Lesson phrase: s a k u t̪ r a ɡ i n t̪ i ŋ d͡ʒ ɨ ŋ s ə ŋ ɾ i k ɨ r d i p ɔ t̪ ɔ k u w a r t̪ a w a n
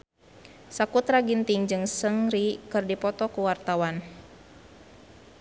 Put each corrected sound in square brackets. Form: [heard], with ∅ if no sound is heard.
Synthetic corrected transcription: s a k u t̪ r a ɡ i n t̪ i ŋ d͡ʒ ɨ ŋ s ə ŋ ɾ i k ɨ r d i p ɔ t̪ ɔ k u w a r t̪ a w a n